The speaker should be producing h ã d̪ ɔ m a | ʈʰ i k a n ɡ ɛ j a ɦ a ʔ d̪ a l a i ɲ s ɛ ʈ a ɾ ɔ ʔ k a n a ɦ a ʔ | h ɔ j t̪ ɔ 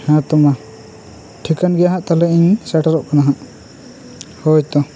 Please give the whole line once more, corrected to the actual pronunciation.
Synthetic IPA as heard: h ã t̪ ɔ m a | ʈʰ i k a n ɡ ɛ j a ɦ a ʔ t̪ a l ɛ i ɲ s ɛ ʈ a ɾ ɔ ʔ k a n a ɦ a ʔ | h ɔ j t̪ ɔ